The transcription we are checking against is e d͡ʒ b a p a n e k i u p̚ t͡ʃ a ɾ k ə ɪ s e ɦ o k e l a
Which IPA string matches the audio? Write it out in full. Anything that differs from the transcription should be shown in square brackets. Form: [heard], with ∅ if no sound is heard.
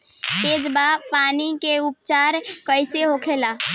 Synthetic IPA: e d͡ʒ b a p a n [i] k [e] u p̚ t͡ʃ a ɾ k ə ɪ s e ɦ o [kʰ] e l a